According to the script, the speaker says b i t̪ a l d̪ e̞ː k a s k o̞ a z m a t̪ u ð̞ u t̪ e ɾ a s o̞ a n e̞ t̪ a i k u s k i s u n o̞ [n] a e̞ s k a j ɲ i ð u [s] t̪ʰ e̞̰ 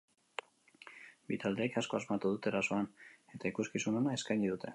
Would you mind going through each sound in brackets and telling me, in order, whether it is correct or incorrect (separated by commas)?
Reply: correct, incorrect